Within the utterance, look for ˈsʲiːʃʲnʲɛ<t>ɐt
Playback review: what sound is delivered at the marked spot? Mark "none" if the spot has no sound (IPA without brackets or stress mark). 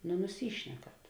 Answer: k